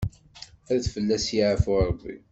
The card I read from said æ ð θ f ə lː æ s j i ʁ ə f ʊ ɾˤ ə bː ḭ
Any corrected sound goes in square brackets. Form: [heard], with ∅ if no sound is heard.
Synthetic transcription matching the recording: æ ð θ f ə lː æ s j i [ʕ] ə f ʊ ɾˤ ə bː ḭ